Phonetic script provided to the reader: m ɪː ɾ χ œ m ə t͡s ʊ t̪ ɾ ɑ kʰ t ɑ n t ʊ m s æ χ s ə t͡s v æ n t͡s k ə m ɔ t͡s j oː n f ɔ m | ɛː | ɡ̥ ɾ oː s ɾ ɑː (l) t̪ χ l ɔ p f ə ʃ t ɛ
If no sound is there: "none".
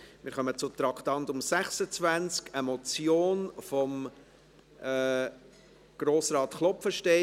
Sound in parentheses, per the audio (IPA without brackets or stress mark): none